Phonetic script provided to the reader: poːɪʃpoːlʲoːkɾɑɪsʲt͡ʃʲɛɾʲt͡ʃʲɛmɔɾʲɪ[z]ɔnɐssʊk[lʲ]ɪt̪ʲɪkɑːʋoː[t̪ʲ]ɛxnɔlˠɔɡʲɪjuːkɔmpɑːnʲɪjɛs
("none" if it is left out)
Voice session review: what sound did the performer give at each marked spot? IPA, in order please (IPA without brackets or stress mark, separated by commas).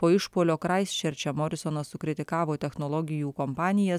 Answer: s, ɾʲ, t̪ʲ